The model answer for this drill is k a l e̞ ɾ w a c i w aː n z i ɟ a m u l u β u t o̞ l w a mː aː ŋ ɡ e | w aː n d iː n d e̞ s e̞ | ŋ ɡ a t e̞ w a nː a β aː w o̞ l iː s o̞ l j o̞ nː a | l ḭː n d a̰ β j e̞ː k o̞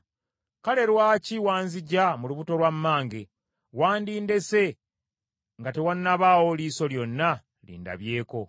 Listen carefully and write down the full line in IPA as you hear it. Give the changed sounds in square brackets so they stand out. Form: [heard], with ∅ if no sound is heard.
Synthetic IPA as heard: k a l e̞ ɾ w a c i w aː n z i ɟ a m u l u β u t o̞ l w a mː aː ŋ ɡ e | w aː n d iː n d e̞ s e̞ | ŋ ɡ a t e̞ w a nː a β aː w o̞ l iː s o̞ l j o̞ nː a | l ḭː n d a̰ β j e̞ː k o̞